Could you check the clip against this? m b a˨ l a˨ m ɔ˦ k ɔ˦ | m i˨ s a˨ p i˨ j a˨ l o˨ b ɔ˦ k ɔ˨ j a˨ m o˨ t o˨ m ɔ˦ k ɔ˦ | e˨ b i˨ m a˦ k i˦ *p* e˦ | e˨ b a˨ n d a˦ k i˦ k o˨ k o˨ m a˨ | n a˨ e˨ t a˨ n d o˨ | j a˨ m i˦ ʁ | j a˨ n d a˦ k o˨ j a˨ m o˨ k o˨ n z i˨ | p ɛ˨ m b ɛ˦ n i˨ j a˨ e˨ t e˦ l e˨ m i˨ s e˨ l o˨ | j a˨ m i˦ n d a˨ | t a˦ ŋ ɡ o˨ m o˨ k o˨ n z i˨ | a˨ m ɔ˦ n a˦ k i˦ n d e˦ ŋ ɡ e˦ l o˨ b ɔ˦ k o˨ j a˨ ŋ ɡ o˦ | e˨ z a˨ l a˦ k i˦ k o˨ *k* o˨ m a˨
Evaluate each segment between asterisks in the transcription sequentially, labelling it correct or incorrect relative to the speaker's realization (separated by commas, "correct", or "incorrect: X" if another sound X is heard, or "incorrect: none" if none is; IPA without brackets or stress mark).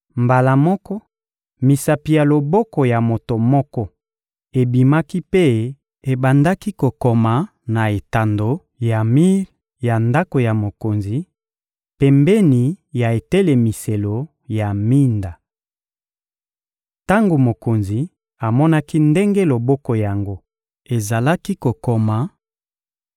correct, correct